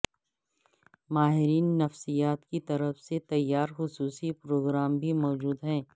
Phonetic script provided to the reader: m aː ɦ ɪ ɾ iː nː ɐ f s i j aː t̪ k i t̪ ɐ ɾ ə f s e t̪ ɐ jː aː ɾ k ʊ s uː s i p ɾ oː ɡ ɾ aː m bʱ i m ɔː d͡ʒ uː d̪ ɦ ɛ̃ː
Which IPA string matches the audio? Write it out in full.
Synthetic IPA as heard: m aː ɦ ɪ ɾ iː nː ɐ f s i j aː t̪ k i t̪ ɐ ɾ ə f s e t̪ ɐ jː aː ɾ x ʊ s uː s i p ɾ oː ɡ ɾ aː m bʱ i m ɔː d͡ʒ uː d̪ ɦ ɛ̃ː

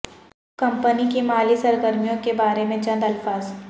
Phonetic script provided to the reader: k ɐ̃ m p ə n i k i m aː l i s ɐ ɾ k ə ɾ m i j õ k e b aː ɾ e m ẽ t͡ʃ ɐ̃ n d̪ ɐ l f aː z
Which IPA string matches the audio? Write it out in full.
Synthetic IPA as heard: k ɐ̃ m p ə n i k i m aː l i s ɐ ɾ ɡ ə ɾ m i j õ k e b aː ɾ e m ẽ t͡ʃ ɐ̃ n d̪ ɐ l f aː z

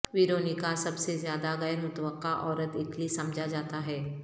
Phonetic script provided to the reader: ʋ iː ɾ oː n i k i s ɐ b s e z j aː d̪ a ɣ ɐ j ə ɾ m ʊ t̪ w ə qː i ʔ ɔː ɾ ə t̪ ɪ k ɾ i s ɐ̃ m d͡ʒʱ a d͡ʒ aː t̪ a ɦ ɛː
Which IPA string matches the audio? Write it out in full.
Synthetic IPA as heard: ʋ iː ɾ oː n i k a s ɐ b s e z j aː d̪ a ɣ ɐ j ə ɾ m ʊ t̪ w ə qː a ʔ ɔː ɾ ə t̪ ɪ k l i s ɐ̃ m d͡ʒʱ a d͡ʒ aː t̪ a ɦ ɛː

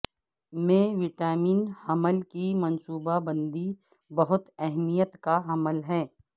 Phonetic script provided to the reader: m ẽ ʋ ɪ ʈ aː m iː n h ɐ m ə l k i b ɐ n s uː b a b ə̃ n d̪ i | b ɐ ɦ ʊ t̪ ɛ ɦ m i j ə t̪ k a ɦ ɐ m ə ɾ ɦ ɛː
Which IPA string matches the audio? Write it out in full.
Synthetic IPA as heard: m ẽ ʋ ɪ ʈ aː m iː n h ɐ m ə l k i m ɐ n s uː b a b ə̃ n d̪ i | b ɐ ɦ ʊ t̪ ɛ ɦ m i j ə t̪ k a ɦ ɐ m ə l ɦ ɛː

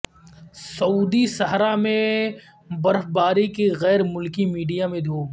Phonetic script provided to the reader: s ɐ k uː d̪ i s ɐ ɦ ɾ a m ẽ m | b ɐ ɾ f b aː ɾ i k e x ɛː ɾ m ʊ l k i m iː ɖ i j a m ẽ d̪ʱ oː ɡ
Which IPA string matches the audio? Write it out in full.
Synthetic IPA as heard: s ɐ uː d̪ i s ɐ ɦ ɾ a m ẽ | b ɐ ɾ f b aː ɾ i k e ɣ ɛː ɾ m ʊ l k i m iː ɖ i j a m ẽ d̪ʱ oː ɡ

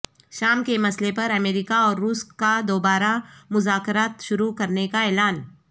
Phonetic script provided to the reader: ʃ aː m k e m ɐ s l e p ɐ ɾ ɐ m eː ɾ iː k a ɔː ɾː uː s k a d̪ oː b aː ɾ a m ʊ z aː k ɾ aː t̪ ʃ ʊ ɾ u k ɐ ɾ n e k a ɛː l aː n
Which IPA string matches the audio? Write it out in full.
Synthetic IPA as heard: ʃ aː m k e m ɐ s l e p ɐ ɾ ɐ m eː ɾ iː k a ɔː ɾː uː s k a d̪ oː b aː ɾ a m ʊ z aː k ɾ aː t̪ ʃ ʊ ɾ u k ɐ ɾ n e k a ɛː l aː n

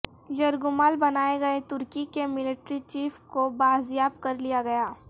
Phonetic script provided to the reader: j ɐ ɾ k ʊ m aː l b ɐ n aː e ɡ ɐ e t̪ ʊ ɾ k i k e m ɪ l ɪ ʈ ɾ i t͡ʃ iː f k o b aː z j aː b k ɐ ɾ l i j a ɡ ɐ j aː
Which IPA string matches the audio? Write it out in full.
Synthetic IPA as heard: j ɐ ɾ ɡ ʊ m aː l b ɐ n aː e ɡ ɐ e t̪ ʊ ɾ k i k e m ɪ l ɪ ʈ ɾ i t͡ʃ iː f k o b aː z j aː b k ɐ ɾ l i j a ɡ ɐ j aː

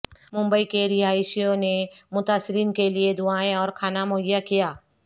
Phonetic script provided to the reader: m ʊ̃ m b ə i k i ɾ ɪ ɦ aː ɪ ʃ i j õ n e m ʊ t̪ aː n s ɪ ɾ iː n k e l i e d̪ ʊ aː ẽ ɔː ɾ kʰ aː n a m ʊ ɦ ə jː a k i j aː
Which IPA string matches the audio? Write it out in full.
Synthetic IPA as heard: m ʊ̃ m b ə i k e ɾ ɪ ɦ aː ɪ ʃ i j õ n e m ʊ t̪ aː s ɪ ɾ iː n k e l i e d̪ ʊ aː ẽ ɔː ɾ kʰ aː n a m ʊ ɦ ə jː a k i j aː

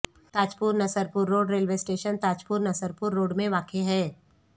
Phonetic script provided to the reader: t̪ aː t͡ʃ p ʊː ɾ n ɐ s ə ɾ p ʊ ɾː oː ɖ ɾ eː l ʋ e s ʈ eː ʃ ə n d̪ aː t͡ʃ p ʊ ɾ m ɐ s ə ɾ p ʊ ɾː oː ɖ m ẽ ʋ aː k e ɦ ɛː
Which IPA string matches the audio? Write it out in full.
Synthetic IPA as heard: t̪ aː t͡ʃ p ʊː ɾ n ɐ s ə ɾ p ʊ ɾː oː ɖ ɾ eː l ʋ e s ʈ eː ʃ ə n t̪ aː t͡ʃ p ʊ ɾ n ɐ s ə ɾ p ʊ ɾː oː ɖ m ẽ ʋ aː k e ɦ ɛː

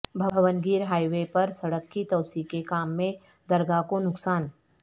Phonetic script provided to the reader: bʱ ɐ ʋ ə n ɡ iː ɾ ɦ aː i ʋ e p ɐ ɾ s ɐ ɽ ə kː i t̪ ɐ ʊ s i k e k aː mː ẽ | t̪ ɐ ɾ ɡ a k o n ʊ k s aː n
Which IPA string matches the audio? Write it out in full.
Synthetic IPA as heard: bʱ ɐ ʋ ə n ɡ iː ɾ ɦ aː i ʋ e p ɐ ɾ s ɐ ɽ ə kː i t̪ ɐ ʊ s i k e k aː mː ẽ | d̪ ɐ ɾ ɡ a k o n ʊ k s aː n

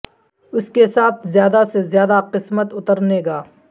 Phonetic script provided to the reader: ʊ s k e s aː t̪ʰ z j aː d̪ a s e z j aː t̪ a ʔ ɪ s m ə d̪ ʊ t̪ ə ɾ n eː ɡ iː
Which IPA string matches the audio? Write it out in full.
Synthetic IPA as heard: ʊ s k e s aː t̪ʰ z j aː d̪ a s e z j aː d̪ a q ɪ s m ə t̪ ʊ t̪ ə ɾ n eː ɡ aː

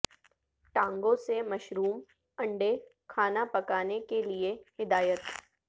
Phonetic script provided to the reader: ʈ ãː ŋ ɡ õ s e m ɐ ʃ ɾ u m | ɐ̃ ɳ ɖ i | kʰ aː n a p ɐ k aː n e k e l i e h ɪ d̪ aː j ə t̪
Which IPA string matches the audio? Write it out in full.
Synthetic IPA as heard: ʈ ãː ŋ ɡ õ s e m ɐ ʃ ɾ uː m | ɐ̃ ɳ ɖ e | kʰ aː n a p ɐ k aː n e k e l i e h ɪ d̪ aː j ə t̪

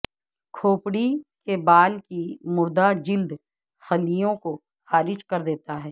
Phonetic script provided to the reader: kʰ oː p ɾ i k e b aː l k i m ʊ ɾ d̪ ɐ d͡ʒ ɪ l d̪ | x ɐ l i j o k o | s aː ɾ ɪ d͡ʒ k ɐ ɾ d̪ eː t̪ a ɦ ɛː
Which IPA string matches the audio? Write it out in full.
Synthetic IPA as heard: kʰ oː p ɽ i k e b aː l k i m ʊ ɾ d̪ a d͡ʒ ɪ l d̪ | x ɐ l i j õ k o | x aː ɾ ɪ d͡ʒ k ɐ ɾ d̪ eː t̪ a ɦ ɛː

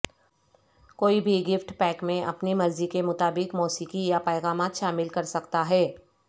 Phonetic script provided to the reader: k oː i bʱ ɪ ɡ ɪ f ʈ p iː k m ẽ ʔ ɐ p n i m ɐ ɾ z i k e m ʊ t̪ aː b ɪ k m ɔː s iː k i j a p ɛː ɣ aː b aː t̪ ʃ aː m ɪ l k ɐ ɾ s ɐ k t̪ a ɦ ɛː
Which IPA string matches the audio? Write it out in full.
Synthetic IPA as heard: k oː i bʱ i ɡ ɪ f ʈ p ɛː k m ẽ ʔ ɐ p n i m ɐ ɾ z i k e m ʊ t̪ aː b ɪ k m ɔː s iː k i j a p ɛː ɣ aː m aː t̪ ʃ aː m ɪ l k ɐ ɾ s ɐ k t̪ a ɦ ɛː

